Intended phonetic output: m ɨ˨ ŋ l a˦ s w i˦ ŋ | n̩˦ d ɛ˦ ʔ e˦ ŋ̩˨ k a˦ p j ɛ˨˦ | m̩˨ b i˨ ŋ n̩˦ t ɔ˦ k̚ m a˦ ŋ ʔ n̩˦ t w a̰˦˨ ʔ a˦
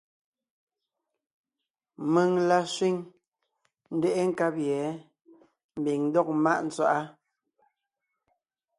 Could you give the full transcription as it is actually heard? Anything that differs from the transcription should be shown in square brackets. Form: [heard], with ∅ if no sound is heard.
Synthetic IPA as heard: m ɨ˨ ŋ l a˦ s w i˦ ŋ | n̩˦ d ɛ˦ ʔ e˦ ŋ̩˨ k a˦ p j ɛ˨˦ | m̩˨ b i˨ ŋ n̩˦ [d] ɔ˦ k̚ m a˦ [∅] ʔ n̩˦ [t͡s] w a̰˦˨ ʔ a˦